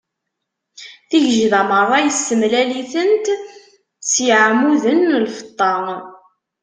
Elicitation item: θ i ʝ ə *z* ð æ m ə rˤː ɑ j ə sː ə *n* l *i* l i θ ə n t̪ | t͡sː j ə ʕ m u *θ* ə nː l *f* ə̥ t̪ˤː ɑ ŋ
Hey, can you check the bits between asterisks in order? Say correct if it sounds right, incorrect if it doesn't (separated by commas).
incorrect, incorrect, incorrect, incorrect, correct